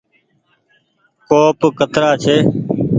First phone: k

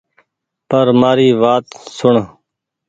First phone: p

